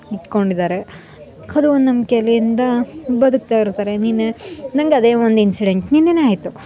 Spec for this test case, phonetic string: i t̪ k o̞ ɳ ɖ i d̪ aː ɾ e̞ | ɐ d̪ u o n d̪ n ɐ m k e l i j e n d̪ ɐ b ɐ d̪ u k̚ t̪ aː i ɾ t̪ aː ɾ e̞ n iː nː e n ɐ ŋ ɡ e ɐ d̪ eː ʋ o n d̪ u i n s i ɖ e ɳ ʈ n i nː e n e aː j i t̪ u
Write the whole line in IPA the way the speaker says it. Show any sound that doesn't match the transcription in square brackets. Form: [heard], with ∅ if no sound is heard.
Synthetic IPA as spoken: i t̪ k o̞ ɳ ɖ i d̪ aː ɾ e̞ | ɐ d̪ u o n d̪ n ɐ m k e l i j [i] n d̪ ɐ b ɐ d̪ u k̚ t̪ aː i ɾ t̪ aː ɾ e̞ n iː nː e n ɐ ŋ ɡ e ɐ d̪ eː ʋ o n d̪ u i n s i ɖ e ɳ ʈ n i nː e n e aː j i t̪ u